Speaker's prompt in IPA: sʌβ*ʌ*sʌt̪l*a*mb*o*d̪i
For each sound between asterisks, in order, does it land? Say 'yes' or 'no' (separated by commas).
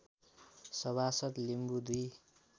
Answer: no, no, no